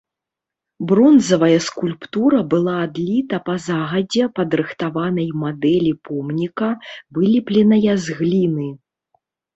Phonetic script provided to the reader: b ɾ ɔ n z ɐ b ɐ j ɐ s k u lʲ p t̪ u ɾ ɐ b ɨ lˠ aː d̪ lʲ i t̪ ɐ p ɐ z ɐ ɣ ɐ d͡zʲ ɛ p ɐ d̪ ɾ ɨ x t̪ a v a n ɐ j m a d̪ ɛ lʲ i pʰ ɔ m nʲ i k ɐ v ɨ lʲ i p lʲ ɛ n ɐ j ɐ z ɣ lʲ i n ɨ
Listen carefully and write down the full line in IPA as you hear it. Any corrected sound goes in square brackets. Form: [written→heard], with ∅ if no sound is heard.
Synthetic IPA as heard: b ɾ ɔ n z ɐ [b→v] ɐ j ɐ s k u lʲ p t̪ u ɾ ɐ b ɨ lˠ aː d̪ lʲ i t̪ ɐ p ɐ z [ɐ→a] ɣ ɐ d͡zʲ ɛ p ɐ d̪ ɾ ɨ x t̪ a v a n ɐ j m a d̪ ɛ lʲ i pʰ ɔ m nʲ i k ɐ v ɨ lʲ i p lʲ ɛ n ɐ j ɐ z ɣ lʲ i n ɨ